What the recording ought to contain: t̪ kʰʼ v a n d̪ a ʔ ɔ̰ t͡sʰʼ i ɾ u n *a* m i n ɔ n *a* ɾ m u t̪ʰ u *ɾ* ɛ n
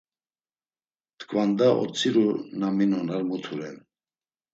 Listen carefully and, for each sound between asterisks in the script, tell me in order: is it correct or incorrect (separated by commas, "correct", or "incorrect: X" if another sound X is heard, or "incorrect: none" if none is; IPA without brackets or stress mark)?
correct, correct, correct